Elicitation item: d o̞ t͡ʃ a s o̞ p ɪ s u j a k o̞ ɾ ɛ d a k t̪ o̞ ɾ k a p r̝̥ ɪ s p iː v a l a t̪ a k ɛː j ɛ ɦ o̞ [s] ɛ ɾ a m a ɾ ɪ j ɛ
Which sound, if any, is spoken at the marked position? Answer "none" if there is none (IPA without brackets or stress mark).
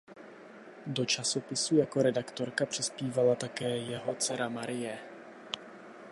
t͡s